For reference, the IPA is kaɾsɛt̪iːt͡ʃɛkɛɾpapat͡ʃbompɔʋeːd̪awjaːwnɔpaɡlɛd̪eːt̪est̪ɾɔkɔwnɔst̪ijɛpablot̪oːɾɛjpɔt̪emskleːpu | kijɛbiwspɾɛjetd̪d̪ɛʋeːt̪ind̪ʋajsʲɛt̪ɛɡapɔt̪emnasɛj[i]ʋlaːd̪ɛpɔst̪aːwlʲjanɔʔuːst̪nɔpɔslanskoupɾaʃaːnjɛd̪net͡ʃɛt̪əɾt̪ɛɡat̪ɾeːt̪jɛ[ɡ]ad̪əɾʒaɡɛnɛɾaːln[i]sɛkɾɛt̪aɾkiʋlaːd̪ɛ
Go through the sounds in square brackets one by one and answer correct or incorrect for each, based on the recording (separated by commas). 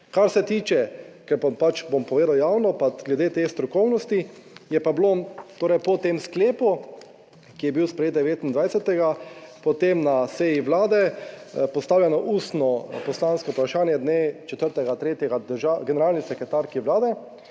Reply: correct, correct, correct